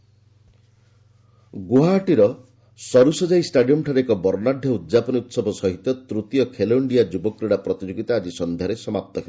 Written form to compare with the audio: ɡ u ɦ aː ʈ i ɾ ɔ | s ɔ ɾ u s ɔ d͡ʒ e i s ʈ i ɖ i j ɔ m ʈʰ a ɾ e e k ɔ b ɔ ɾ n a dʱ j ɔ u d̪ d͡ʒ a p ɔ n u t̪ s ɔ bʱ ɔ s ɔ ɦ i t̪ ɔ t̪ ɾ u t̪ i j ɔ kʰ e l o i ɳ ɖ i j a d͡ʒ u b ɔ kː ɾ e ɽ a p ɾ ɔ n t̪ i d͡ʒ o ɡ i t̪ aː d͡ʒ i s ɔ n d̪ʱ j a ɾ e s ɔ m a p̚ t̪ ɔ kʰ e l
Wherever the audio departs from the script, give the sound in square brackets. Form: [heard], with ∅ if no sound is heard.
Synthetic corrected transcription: ɡ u ɦ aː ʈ i ɾ ɔ | s ɔ ɾ u s ɔ d͡ʒ [a] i s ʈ [a] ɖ i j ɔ m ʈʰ a ɾ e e k ɔ b ɔ ɾ n a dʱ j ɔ u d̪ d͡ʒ a p ɔ n u t̪ s ɔ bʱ ɔ s ɔ ɦ i t̪ ɔ t̪ ɾ u t̪ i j ɔ kʰ e l o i ɳ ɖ i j a d͡ʒ u b ɔ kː ɾ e ɽ a p ɾ ɔ [∅] t̪ i d͡ʒ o ɡ i t̪ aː d͡ʒ i s ɔ n d̪ʱ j a ɾ e s ɔ m a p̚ t̪ ɔ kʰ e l